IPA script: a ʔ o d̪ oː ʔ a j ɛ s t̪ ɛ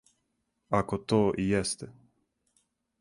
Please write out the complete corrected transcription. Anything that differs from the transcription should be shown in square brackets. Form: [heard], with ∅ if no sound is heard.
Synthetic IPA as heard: a [k] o [t̪] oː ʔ [i] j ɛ s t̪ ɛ